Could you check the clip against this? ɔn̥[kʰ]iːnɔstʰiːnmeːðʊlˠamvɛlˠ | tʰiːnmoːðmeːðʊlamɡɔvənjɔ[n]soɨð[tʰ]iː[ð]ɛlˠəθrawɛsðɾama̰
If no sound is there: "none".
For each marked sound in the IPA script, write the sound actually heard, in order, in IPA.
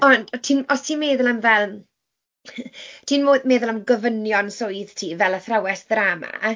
tʰ, n, tʰ, v

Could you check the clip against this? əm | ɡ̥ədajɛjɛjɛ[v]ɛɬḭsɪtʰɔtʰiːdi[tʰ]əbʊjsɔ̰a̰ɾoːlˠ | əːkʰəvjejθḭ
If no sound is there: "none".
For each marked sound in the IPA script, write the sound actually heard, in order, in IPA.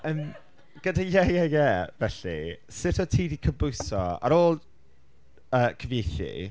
v, kʰ

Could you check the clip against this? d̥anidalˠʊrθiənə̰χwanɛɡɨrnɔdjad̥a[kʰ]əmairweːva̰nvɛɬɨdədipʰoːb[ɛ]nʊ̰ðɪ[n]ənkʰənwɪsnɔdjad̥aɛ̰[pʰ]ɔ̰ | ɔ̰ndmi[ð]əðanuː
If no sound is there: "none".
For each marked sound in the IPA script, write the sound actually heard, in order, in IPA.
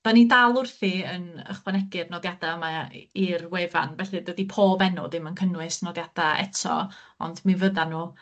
none, ɛ, m, tʰ, v

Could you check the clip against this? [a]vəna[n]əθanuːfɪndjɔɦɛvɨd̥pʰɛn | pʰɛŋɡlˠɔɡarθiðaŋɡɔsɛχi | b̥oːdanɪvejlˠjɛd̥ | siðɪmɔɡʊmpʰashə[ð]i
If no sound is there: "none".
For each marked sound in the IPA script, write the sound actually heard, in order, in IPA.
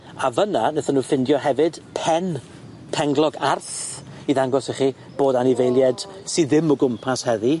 a, n, ð

